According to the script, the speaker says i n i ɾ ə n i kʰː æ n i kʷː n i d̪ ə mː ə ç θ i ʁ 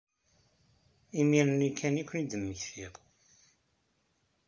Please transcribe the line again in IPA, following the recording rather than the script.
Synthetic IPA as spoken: i m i ɾ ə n i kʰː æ n i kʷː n i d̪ ə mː ə ç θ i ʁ